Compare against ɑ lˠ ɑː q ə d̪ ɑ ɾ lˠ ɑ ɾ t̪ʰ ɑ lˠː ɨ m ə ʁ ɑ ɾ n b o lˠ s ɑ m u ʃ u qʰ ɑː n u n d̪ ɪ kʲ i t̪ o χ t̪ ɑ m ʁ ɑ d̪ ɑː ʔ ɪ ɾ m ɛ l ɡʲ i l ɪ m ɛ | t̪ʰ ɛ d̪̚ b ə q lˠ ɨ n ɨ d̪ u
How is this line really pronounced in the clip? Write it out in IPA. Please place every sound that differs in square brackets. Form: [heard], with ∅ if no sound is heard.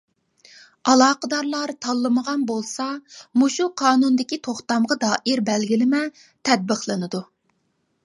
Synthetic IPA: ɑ lˠ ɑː q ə d̪ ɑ ɾ lˠ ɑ ɾ t̪ʰ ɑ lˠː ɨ m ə ʁ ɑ [∅] n b o lˠ s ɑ m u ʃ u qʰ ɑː n u n d̪ ɪ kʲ i [t̪ʰ] o χ t̪ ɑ m ʁ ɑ d̪ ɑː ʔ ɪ ɾ [b] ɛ l ɡʲ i l ɪ m ɛ | t̪ʰ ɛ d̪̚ b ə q lˠ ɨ n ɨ d̪ u